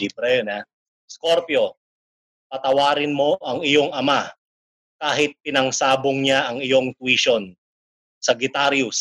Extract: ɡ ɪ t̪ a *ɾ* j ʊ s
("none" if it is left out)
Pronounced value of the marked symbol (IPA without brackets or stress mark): ɾ